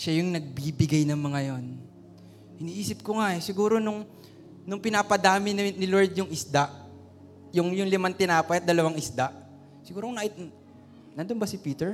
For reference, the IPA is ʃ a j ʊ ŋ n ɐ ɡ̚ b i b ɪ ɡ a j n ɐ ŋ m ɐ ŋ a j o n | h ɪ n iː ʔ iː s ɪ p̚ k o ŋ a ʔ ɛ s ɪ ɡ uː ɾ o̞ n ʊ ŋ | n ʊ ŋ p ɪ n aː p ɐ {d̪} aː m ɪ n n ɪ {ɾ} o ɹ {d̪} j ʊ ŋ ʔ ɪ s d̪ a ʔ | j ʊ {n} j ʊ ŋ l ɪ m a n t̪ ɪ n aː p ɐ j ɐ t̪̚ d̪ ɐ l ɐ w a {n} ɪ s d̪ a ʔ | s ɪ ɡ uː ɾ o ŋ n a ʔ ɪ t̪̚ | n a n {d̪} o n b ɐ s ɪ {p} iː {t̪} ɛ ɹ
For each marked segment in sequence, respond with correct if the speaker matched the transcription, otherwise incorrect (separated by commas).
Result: correct, incorrect, correct, incorrect, incorrect, correct, correct, correct